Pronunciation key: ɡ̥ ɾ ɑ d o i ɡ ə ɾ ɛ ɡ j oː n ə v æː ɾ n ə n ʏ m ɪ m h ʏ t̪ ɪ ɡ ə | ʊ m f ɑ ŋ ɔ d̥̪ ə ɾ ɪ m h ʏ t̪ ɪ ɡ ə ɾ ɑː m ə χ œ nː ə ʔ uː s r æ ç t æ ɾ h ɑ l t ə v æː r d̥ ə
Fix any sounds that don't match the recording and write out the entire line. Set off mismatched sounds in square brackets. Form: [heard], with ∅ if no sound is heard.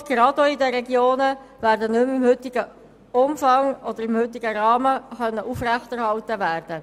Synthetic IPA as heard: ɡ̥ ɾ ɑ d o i [d] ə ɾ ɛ ɡ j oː n ə v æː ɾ [d] ə n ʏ m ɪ m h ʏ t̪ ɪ ɡ ə | ʊ m f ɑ ŋ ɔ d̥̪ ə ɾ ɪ m h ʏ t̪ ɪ ɡ ə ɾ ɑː m ə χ œ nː ə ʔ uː [f] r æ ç t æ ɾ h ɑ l t ə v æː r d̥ ə

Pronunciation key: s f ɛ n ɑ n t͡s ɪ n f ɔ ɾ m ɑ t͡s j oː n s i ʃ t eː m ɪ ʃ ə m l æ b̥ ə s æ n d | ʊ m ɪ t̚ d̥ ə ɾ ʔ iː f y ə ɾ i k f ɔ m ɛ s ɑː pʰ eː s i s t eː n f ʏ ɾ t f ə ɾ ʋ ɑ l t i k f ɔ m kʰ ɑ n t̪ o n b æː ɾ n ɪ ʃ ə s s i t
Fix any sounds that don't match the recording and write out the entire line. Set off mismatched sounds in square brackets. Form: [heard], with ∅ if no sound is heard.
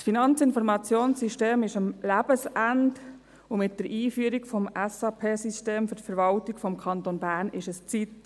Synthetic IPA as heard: s f [i] n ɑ n t͡s ɪ n f ɔ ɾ m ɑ t͡s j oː n s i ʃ t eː m ɪ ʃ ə m l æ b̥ ə s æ n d | ʊ m ɪ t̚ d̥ ə ɾ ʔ iː f y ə ɾ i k f ɔ m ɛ s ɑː pʰ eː s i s t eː [m] f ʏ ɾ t f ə ɾ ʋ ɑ l t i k f ɔ m kʰ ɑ n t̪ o n b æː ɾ n ɪ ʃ ə s [t͡s] i t

